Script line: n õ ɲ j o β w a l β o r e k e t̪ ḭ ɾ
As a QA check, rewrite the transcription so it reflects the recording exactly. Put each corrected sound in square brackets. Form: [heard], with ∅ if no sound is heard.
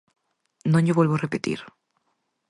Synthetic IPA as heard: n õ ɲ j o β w [e] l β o r e [p] e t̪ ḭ ɾ